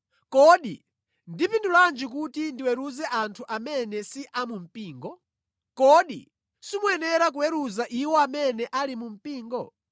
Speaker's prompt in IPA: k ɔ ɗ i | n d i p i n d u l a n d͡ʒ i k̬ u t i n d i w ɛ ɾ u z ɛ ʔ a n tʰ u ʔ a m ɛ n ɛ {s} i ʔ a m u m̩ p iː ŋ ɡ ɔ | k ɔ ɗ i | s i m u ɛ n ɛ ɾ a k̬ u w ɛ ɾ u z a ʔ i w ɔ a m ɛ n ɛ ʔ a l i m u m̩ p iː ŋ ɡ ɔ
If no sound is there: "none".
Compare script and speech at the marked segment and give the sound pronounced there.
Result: s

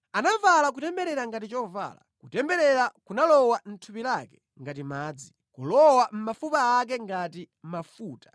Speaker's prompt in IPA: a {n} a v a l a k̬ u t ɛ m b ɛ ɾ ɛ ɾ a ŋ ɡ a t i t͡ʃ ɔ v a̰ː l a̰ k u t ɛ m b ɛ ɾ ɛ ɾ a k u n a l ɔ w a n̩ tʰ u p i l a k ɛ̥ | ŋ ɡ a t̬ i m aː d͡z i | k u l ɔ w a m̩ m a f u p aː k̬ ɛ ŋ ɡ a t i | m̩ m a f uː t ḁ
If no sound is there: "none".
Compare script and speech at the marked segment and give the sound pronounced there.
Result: n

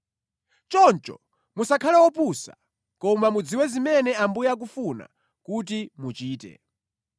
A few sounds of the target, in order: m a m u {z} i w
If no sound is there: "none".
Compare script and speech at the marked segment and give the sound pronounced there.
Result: d͡z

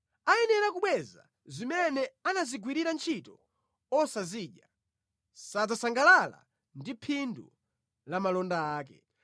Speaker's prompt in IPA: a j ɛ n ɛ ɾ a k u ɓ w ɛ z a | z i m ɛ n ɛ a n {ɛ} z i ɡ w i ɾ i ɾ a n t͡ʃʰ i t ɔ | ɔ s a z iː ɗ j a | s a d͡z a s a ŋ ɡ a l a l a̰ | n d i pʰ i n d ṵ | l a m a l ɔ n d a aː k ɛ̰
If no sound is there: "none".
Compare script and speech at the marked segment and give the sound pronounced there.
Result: a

